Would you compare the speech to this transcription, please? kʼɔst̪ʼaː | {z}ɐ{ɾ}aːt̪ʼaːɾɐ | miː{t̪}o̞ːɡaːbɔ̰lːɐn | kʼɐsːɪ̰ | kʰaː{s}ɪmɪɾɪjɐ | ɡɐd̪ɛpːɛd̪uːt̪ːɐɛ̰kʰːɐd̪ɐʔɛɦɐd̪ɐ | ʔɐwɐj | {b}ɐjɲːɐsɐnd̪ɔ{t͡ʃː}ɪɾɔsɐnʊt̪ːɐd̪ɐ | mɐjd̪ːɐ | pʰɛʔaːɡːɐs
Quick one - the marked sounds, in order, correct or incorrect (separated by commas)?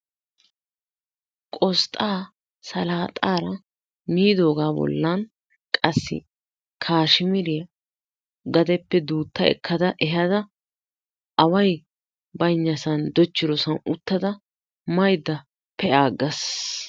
incorrect, incorrect, incorrect, incorrect, correct, correct